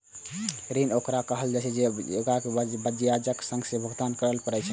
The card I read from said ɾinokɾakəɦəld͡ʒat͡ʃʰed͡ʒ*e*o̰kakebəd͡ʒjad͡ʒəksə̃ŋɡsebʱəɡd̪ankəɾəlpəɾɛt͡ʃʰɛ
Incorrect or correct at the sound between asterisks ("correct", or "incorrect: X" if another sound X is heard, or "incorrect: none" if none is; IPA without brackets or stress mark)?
correct